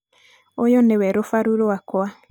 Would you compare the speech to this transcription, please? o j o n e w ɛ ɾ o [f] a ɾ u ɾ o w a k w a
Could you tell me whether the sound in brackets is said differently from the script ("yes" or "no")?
no